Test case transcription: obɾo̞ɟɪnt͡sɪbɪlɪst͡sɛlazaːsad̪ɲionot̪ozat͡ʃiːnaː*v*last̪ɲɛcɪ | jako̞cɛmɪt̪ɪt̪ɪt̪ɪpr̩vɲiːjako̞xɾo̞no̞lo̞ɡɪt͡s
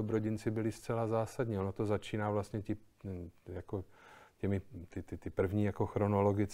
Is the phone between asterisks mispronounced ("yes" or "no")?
no